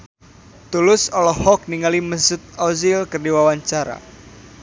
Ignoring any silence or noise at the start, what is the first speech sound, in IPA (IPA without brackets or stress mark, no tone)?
t̪